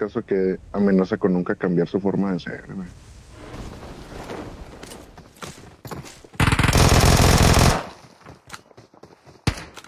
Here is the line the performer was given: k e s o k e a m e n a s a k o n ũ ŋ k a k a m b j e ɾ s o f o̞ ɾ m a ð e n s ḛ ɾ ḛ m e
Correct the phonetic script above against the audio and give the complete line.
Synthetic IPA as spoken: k a s o k e a m e n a s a k o n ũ ŋ k a k a m b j a ɾ s u f o̞ ɾ m a ð e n s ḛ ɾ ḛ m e